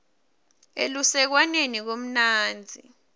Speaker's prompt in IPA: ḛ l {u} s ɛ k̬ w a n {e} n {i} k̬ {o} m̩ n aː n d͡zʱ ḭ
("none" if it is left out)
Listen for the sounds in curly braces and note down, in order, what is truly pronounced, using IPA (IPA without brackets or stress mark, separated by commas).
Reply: u, e, i, o